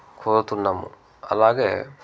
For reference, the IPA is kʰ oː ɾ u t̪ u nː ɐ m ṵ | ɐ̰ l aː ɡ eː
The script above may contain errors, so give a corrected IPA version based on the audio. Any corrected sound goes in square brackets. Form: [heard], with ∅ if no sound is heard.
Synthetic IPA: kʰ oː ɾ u t̪ u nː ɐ m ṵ | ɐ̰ l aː ɡ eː